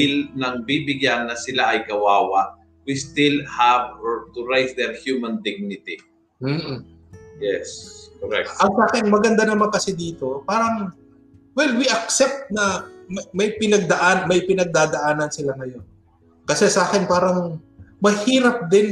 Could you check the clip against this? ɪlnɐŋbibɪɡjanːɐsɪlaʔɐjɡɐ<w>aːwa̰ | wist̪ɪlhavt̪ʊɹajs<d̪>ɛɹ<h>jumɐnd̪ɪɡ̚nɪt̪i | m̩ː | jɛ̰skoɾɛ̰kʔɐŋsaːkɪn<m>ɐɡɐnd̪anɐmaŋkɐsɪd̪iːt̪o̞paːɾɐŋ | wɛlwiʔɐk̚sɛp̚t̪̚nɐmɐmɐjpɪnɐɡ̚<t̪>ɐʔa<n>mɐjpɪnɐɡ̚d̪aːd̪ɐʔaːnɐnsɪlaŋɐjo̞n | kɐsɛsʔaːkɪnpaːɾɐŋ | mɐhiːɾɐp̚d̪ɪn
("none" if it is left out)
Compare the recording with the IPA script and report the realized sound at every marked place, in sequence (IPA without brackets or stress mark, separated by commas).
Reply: w, d̪, h, m, d̪, n